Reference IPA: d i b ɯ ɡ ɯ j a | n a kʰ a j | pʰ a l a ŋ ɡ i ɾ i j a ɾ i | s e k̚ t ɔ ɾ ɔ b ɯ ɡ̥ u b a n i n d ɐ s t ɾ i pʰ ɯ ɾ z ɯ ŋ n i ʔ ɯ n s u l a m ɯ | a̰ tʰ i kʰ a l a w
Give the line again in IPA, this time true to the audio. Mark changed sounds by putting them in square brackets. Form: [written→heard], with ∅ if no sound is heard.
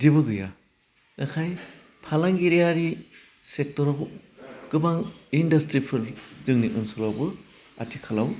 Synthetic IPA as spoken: d i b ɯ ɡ ɯ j a | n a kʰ a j | pʰ a l a ŋ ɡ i ɾ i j a ɾ i | s e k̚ t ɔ ɾ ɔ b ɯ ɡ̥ [u→ɯ] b a [n→ŋ] i n d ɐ s t ɾ i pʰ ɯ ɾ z ɯ ŋ n i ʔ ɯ n s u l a [m→b] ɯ | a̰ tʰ i kʰ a l a w